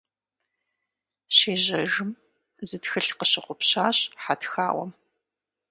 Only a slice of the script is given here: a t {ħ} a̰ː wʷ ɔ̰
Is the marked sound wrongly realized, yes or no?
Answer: yes